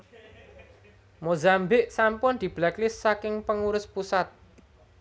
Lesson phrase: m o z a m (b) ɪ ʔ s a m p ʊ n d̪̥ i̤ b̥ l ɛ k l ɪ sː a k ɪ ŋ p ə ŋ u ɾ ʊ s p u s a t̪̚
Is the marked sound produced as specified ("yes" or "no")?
yes